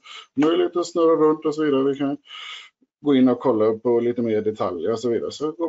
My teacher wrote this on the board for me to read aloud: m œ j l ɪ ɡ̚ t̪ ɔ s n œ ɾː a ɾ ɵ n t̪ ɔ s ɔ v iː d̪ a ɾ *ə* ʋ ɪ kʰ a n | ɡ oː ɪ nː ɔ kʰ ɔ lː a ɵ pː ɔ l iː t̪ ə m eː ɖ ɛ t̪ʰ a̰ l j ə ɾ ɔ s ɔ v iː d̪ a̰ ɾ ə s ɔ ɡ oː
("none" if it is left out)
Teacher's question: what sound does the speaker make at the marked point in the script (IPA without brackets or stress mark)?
ə